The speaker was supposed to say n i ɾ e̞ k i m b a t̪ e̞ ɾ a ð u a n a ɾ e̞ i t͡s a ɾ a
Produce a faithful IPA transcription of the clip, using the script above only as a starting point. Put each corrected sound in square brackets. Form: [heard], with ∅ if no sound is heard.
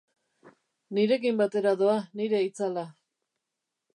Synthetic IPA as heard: n i ɾ e̞ k i m b a t̪ e̞ ɾ a ð [o] a n [i] ɾ e̞ i t͡s a [l] a

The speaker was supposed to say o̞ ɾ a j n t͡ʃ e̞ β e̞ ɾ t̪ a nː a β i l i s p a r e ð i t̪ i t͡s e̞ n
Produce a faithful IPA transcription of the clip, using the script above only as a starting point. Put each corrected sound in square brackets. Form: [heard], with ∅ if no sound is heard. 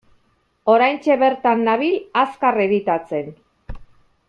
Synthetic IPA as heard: o̞ ɾ a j n t͡ʃ e̞ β e̞ ɾ t̪ a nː a β i l [a] s [k] a r e ð i t̪ [a] t͡s e̞ n

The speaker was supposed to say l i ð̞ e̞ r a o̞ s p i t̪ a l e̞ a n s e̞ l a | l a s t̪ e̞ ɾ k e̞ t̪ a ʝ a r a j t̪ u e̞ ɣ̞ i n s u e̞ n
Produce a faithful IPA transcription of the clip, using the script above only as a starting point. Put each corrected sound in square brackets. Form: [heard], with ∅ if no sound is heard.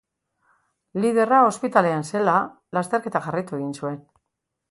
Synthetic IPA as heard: l i ð̞ e̞ r a o̞ s p i t̪ a l e̞ a n s e̞ l a | l a s t̪ e̞ ɾ k e̞ t̪ a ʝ a r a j t̪ u e̞ ɣ̞ i n s u e̞ n

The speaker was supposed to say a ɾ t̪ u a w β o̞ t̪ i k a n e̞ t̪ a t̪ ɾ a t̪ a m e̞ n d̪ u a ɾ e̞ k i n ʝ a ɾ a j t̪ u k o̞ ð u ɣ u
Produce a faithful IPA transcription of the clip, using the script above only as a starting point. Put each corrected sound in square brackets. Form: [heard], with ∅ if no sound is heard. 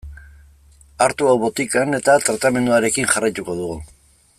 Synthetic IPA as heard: a ɾ t̪ u a w β o̞ t̪ i k a n e̞ t̪ a t̪ ɾ a t̪ a m e̞ n d̪ u a ɾ e̞ k i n ʝ a [r] a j t̪ u k o̞ ð u ɣ u

